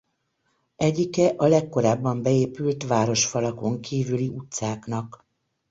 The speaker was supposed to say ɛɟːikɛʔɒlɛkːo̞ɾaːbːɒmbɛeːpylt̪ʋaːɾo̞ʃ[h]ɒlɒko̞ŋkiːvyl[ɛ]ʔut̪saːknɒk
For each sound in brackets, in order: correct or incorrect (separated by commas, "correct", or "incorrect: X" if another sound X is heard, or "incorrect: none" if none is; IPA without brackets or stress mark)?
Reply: incorrect: f, incorrect: i